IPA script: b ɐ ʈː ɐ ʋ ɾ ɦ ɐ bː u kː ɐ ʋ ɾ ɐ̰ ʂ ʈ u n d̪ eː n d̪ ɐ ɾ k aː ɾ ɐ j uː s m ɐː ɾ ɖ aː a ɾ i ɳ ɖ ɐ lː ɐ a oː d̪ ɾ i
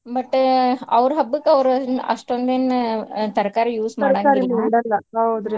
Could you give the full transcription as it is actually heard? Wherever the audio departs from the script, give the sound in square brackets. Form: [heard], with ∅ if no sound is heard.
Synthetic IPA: b ɐ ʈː ɐ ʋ ɾ ɦ ɐ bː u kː ɐ ʋ ɾ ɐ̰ ʂ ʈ [o] n d̪ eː n [t̪] ɐ ɾ k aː ɾ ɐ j uː s m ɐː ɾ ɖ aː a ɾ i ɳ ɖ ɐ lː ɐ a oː d̪ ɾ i